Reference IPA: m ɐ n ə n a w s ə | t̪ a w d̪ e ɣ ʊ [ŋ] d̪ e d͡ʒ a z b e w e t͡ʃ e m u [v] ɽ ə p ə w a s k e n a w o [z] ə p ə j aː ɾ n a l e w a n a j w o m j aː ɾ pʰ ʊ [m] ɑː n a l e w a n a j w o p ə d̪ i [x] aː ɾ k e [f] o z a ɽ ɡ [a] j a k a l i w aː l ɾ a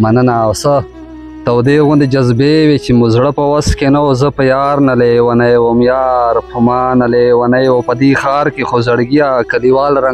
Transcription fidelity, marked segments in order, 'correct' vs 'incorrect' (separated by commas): incorrect, incorrect, correct, correct, correct, incorrect, incorrect